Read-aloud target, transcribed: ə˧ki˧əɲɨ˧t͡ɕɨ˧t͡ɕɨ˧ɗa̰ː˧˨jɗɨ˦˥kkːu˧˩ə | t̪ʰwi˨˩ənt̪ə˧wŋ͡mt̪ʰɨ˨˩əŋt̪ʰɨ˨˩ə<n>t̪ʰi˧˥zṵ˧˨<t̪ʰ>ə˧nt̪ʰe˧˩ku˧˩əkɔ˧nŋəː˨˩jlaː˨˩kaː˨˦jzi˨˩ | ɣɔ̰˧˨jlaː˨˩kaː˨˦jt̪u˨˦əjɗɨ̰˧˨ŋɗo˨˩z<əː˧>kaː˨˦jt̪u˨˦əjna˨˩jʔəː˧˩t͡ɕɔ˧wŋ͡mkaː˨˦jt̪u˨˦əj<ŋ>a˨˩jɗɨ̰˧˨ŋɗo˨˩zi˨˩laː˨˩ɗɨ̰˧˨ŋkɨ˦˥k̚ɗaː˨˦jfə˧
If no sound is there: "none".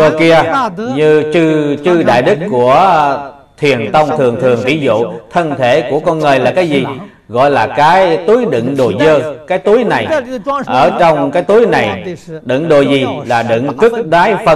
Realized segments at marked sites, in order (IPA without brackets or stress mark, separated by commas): ŋ, t̪ʰ, əː˧, n